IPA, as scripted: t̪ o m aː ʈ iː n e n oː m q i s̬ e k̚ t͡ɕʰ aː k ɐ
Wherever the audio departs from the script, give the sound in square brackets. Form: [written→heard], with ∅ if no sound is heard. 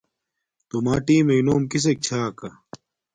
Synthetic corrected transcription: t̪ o m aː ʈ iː [n→m] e n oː m [q→k] i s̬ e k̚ t͡ɕʰ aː k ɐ